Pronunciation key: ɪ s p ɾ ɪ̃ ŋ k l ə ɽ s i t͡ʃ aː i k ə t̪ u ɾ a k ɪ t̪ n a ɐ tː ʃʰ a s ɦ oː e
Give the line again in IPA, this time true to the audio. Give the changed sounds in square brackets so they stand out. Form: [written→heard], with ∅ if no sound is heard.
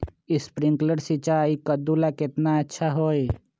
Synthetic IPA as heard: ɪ s p ɾ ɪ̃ ŋ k l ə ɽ s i t͡ʃ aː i k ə [t̪→d̪] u [ɾ→l] a k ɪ t̪ n a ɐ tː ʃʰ a [s→∅] ɦ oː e